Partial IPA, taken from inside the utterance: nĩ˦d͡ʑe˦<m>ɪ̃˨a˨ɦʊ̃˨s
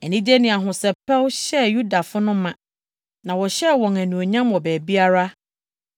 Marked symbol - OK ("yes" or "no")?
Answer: no